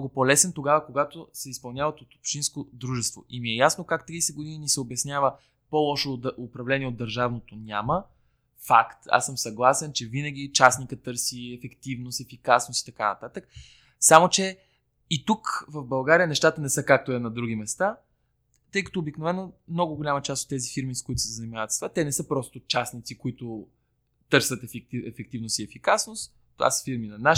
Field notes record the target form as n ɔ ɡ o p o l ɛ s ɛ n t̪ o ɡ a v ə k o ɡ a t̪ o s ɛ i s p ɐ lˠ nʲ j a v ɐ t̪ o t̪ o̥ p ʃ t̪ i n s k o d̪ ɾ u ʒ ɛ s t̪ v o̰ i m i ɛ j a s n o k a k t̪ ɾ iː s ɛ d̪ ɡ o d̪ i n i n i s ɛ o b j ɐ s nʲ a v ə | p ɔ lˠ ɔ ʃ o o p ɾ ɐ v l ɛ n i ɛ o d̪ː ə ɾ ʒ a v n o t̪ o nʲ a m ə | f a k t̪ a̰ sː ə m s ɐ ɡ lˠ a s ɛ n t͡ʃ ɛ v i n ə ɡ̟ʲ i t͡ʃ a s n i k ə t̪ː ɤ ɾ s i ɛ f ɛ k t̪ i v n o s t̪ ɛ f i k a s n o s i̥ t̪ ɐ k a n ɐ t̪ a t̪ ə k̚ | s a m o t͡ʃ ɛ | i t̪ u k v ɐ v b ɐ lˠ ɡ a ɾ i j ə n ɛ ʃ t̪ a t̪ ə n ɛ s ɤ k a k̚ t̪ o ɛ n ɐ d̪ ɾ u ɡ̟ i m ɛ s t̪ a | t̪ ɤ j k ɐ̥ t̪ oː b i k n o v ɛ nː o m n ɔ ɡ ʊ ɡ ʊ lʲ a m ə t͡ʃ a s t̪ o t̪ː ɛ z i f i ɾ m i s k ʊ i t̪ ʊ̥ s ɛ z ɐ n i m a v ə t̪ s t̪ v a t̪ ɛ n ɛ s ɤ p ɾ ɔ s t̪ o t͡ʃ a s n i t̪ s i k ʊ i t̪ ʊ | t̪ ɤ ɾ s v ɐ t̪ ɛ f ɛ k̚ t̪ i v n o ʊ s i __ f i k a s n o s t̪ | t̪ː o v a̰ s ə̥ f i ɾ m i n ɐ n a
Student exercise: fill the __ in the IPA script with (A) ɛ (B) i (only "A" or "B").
A